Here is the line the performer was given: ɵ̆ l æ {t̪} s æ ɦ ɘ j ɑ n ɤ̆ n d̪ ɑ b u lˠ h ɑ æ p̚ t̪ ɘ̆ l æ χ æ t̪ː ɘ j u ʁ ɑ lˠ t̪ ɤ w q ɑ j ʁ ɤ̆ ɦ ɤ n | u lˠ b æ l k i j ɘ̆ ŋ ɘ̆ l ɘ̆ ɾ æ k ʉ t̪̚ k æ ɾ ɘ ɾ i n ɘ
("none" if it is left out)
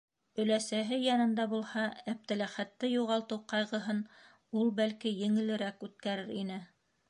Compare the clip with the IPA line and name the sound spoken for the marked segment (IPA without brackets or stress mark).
none